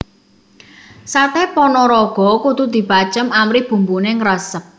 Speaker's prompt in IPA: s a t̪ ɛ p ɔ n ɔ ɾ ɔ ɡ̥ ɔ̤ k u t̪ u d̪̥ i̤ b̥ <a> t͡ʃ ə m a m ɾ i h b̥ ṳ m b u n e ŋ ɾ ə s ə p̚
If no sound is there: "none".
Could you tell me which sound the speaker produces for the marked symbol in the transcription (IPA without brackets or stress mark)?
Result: a